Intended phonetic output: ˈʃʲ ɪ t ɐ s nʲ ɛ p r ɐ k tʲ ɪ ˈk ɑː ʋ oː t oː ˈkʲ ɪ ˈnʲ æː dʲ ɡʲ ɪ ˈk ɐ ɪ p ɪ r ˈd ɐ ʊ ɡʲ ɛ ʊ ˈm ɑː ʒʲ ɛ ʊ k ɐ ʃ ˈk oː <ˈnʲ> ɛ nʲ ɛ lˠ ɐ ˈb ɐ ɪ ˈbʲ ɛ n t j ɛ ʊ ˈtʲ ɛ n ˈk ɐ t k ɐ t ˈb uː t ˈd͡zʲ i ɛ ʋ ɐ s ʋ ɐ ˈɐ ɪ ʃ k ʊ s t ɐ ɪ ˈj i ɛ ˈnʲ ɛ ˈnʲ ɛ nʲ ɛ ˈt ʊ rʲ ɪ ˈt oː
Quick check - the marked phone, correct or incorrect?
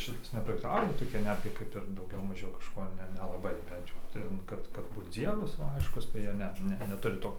correct